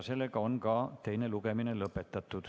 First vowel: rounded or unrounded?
unrounded